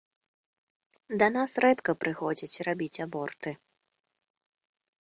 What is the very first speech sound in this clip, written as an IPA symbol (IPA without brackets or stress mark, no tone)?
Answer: d̪